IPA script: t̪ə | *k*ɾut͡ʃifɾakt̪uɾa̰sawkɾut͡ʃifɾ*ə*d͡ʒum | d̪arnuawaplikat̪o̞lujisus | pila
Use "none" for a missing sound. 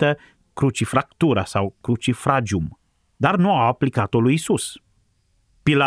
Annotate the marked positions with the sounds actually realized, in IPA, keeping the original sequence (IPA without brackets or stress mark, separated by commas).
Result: k, a